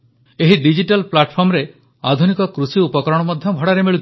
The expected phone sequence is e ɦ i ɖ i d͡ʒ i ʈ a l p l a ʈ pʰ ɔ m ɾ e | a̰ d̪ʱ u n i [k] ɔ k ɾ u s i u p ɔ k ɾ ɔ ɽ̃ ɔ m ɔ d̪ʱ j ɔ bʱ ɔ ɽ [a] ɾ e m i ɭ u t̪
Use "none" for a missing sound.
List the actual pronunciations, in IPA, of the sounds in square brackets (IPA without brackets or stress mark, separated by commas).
k, a